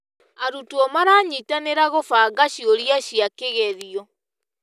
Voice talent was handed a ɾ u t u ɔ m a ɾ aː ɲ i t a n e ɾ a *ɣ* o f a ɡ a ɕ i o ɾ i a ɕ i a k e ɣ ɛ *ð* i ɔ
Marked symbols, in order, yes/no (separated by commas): yes, yes